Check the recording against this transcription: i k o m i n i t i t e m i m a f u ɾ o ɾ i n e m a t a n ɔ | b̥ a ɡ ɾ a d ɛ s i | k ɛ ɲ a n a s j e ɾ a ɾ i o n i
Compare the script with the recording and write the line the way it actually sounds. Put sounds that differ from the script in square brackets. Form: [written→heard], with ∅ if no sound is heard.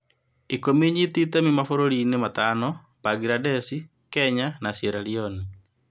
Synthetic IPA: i k o m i [n→ɲ] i t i t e m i m a f [u→o] ɾ o ɾ i n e m a t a n ɔ | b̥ a ɡ ɾ a d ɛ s i | k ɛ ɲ a n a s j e ɾ a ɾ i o n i